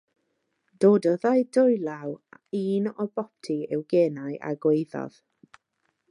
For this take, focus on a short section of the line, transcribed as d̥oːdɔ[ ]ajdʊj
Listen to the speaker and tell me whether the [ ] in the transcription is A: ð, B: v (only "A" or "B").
A